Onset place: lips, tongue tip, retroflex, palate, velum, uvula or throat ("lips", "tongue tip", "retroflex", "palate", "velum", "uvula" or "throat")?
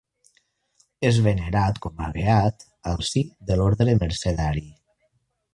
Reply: tongue tip